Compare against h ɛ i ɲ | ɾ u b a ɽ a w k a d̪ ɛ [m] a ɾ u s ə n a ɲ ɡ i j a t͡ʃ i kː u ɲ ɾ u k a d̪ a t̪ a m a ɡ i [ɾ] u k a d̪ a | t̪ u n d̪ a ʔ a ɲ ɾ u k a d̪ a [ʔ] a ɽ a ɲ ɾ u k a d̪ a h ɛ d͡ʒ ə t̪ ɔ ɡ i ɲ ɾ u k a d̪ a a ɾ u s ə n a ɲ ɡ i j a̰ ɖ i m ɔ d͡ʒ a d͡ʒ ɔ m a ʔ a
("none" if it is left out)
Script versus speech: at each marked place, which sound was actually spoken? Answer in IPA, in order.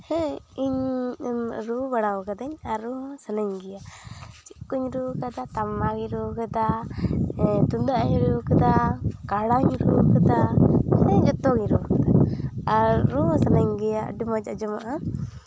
ɲ, ɾ, k

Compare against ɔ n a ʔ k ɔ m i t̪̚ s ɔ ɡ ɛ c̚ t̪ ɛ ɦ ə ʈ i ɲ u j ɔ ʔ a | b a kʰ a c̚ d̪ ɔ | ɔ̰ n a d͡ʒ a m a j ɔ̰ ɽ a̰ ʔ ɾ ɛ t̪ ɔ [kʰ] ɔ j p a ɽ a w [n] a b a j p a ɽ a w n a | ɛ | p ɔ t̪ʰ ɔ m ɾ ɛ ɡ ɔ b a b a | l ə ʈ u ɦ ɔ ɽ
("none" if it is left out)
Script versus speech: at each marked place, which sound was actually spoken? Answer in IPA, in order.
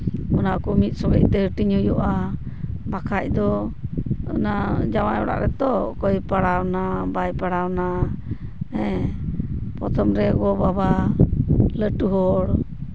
k, n

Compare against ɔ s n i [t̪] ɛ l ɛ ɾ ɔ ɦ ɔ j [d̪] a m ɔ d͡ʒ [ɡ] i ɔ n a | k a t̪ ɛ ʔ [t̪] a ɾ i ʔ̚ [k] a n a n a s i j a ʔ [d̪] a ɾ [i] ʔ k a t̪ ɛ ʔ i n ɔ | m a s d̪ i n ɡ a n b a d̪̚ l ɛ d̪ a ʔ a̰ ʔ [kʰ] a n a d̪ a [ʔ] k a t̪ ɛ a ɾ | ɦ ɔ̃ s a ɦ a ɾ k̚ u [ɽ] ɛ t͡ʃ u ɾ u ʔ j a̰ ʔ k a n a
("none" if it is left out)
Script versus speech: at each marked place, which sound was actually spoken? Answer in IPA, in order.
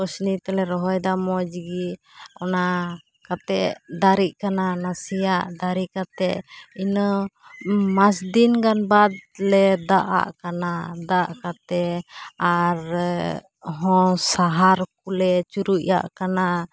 t̪, d̪, ɡ, d̪, k, d̪, i, k, ʔ, l

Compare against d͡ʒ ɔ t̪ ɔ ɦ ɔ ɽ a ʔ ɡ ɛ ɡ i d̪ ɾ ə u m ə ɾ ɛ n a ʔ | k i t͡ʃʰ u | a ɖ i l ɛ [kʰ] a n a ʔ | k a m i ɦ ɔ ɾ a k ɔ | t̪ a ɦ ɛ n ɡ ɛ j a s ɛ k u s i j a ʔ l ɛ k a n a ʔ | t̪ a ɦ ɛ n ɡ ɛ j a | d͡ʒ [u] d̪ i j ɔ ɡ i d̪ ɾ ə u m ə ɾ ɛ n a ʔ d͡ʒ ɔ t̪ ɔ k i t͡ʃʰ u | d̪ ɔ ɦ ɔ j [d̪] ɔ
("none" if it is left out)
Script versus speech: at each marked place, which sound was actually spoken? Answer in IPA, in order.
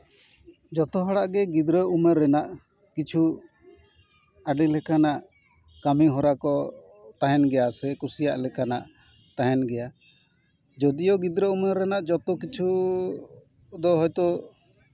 k, ɔ, t̪

